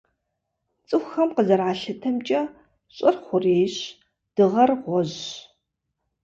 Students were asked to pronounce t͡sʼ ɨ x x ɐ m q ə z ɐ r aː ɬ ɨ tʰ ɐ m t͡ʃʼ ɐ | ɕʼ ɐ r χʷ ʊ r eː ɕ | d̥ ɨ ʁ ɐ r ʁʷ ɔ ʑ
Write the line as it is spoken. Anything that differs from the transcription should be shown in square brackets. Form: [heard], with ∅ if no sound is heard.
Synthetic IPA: t͡sʼ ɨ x x ɐ m q ə z ɐ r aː ɬ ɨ tʰ ɐ m t͡ʃʼ ɐ | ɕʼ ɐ r χʷ ʊ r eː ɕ | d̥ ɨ ʁ ɐ r ʁʷ ɔ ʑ